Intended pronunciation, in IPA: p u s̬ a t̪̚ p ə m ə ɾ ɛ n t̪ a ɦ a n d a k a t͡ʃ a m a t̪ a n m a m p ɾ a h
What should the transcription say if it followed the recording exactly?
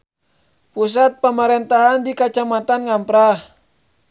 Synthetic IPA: p u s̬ a t̪̚ p ə m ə ɾ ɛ n t̪ a ɦ a n d i k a t͡ʃ a m a t̪ a n ŋ a m p ɾ a h

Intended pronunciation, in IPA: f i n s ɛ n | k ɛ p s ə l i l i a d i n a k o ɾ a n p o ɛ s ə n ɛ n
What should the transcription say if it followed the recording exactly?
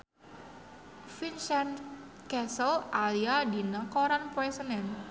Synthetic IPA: f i n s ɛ n | k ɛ s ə l a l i a d i n a k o ɾ a n p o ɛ s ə n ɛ n

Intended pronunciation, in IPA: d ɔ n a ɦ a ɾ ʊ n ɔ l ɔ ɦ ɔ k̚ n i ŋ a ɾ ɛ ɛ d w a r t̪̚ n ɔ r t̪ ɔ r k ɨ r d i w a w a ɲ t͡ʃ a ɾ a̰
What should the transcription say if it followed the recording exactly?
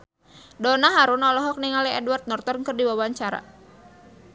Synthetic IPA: d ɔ n a ɦ a ɾ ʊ n ɔ l ɔ ɦ ɔ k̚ n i ŋ a l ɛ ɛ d w a r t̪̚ n ɔ r t̪ ɔ r k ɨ r d i w a w a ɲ t͡ʃ a ɾ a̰

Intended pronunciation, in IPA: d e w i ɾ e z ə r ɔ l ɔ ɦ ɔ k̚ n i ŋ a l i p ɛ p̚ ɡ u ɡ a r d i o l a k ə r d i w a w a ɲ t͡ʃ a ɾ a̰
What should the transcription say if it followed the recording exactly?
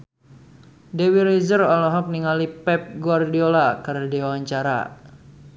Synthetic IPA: d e w i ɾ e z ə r ɔ l ɔ ɦ ɔ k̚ n i ŋ a l i p ɛ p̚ ɡ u a r d i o l a k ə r d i w a w a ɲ t͡ʃ a ɾ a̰

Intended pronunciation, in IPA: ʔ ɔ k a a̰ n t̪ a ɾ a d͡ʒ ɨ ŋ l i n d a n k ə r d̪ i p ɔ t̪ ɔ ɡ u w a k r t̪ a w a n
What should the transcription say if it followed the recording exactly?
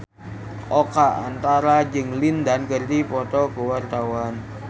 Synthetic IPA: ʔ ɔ k a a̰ n t̪ a ɾ a d͡ʒ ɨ ŋ l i n d a n k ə r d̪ i p ɔ t̪ ɔ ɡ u w a r t̪ a w a n

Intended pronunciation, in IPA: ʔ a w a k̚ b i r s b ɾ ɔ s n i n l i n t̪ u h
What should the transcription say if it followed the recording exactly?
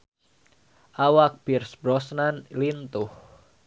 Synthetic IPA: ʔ a w a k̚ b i r s b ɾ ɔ s n a n l i n t̪ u h

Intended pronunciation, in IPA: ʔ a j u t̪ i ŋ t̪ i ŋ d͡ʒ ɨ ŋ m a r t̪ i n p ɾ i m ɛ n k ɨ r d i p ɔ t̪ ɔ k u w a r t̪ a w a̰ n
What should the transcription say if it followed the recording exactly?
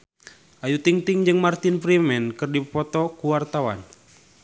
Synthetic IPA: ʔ a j u t̪ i ŋ t̪ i ŋ d͡ʒ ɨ ŋ m a r t̪ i n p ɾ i m ɛ n k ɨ r d i p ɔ t̪ ɔ k u w a r t̪ a w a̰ n

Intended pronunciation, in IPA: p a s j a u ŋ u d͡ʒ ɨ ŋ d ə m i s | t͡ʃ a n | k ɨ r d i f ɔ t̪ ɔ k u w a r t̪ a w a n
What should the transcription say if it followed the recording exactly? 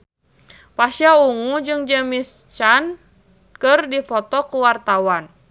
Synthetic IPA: p a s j a u ŋ u d͡ʒ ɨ ŋ d͡ʒ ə m i s | t͡ʃ a n | k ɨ r d i f ɔ t̪ ɔ k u w a r t̪ a w a n

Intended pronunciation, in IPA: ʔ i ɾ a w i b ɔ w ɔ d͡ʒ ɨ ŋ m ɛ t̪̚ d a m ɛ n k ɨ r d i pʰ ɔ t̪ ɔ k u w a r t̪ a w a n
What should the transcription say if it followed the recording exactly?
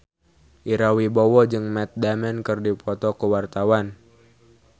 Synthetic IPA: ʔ i ɾ a w i b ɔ w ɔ d͡ʒ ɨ ŋ m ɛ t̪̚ d a m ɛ n k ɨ r d i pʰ ɔ t̪ ɔ k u w a r t̪ a w a n

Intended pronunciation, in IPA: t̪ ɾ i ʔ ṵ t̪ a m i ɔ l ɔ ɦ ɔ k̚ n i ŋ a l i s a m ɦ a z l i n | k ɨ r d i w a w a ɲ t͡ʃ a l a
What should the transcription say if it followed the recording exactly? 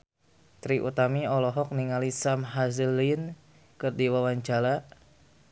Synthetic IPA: t̪ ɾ i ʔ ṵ t̪ a m i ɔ l ɔ ɦ ɔ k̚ n i ŋ a l i s a m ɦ a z l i n | k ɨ r d i w a w a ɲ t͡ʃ a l a

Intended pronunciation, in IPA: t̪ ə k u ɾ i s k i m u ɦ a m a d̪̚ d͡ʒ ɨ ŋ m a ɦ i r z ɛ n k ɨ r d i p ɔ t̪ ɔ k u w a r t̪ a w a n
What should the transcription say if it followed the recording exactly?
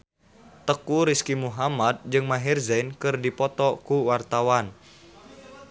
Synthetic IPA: t̪ ə k u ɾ i s k i m u ɦ a m a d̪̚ d͡ʒ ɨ ŋ m a ɦ i r z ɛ n k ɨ r d i p ɔ t̪ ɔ k u w a r t̪ a w a n

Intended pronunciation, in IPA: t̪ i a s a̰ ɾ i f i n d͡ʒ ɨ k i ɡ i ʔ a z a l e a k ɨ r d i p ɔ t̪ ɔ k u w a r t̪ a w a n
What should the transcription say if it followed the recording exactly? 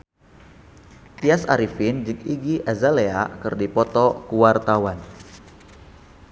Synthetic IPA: t̪ i a s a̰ ɾ i f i n d͡ʒ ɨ k i ɡ i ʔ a z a l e a k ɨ r d i p ɔ t̪ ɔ k u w a r t̪ a w a n

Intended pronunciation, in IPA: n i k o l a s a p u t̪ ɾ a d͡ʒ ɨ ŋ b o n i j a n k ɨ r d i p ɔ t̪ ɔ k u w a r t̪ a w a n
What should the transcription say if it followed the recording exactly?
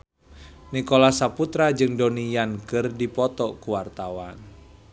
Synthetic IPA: n i k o l a s a p u t̪ ɾ a d͡ʒ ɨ ŋ d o n i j a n k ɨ r d i p ɔ t̪ ɔ k u w a r t̪ a w a n

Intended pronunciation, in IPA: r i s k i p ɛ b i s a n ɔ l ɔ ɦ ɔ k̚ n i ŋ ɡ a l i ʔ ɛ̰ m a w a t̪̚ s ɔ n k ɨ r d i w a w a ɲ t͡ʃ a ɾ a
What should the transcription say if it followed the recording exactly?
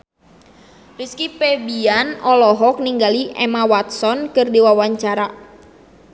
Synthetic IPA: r i s k i p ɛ b i a n ɔ l ɔ ɦ ɔ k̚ n i ŋ ɡ a l i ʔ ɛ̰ m a w a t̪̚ s ɔ n k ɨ r d i w a w a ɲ t͡ʃ a ɾ a

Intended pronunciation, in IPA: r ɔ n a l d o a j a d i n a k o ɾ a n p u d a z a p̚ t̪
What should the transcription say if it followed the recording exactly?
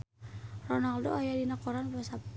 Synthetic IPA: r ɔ n a l d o a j a d i n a k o ɾ a n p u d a s a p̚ t̪

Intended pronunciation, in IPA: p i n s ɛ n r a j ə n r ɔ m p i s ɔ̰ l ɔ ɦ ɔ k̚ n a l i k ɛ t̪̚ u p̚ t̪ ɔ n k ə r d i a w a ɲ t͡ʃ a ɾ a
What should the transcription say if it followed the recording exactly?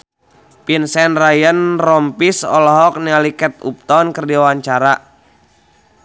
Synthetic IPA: p i n s ɛ n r a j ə n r ɔ m p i s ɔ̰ l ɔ ɦ ɔ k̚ n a l i k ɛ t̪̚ u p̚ t̪ ɔ n k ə r d i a w a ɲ t͡ʃ a ɾ a

